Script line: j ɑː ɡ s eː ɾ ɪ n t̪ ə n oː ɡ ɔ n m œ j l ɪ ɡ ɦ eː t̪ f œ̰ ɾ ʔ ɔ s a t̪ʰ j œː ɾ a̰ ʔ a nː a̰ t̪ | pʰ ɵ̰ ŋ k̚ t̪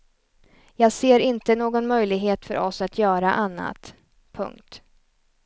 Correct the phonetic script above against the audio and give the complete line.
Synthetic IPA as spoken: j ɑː ɡ s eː ɾ ɪ n t̪ ə n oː ɡ ɔ n m œ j l ɪ ɡ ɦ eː t̪ f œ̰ ɾ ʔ ɔ s a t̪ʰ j œː ɾ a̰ ʔ a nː a̰ t̪ | pʰ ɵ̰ ŋ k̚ t̪